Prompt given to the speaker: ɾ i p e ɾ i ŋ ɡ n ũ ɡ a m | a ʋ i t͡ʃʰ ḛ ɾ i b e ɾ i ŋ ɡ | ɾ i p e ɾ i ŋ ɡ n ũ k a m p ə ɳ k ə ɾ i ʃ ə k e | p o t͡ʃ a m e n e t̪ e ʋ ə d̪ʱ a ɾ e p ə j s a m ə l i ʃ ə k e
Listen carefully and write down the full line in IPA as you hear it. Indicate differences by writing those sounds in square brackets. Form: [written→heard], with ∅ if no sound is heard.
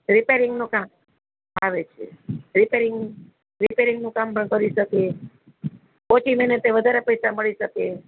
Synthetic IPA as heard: ɾ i p e ɾ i ŋ ɡ n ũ [ɡ→k] a m | a ʋ [i→e] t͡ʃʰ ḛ ɾ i [b→p] e ɾ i ŋ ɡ | ɾ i p e ɾ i ŋ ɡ n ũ k a m p ə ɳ k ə ɾ i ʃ ə k e | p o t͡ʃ [a→i] m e n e t̪ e ʋ ə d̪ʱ a ɾ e p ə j s a m ə [l→ɭ] i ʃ ə k e